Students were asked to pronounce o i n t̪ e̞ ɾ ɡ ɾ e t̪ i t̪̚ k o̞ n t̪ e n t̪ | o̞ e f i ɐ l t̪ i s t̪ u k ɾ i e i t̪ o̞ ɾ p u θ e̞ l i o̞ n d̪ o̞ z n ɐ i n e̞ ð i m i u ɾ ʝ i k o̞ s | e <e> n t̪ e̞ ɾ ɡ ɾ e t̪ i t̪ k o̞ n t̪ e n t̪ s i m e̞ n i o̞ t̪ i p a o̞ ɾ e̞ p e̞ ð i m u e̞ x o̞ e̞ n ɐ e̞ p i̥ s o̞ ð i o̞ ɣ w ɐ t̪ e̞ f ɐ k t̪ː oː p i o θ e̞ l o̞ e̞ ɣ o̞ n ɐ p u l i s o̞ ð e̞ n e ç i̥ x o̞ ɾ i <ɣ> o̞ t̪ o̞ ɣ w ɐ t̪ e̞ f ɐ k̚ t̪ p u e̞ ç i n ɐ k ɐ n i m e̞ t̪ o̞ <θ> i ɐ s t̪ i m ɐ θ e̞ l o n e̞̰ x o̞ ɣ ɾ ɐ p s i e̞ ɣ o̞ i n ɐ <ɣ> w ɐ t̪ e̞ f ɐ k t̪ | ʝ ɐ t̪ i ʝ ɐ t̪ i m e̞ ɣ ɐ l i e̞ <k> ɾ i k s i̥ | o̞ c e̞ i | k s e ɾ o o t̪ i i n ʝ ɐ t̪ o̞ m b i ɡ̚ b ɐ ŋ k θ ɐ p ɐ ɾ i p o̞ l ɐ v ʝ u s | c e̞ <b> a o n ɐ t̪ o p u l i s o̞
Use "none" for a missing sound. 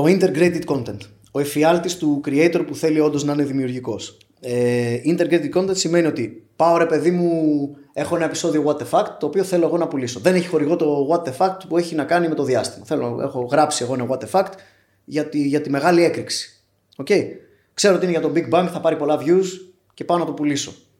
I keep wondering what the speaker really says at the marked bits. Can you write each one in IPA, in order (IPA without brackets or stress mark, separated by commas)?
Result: i, ɣ, ð, ɣ, k, p